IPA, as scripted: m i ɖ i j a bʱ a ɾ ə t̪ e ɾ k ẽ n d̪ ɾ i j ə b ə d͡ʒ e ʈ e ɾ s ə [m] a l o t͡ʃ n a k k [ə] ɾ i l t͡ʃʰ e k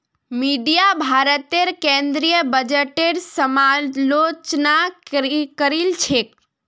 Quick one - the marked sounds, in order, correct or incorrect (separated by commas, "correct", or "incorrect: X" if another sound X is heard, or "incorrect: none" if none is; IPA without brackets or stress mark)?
correct, correct